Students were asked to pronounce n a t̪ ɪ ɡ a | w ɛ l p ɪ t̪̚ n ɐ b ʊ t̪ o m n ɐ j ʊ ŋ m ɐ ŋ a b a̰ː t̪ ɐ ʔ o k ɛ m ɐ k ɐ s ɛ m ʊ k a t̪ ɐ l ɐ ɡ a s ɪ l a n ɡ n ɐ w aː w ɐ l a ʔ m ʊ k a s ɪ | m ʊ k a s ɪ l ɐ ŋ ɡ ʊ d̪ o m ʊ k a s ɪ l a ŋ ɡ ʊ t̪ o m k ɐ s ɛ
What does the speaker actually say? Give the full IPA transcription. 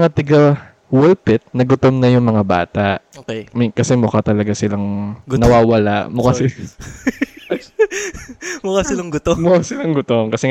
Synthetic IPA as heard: ŋ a t̪ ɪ ɡ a | w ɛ l p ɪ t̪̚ n ɐ ɡ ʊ t̪ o m n ɐ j ʊ ŋ m ɐ ŋ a b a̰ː t̪ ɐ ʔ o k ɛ m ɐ k ɐ s ɛ m ʊ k a t̪ ɐ l ɐ ɡ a s ɪ l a ŋ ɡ n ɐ w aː w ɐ l a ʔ m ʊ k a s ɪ | m ʊ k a s ɪ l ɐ ŋ ɡ ʊ t̪ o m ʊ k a s ɪ l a ŋ ɡ ʊ t̪ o m k ɐ s ɛ